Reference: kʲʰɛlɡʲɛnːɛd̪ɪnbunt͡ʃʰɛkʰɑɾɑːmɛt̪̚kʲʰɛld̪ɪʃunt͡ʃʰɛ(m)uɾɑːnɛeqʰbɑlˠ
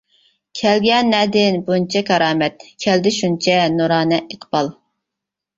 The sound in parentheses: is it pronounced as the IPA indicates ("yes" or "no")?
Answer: no